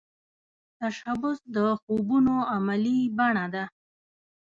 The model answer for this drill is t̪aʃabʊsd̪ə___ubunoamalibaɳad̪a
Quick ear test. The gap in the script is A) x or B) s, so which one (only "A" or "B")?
A